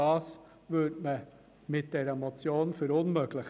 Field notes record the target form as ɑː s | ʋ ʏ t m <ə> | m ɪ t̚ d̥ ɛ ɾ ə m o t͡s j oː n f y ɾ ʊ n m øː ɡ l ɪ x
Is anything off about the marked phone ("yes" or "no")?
no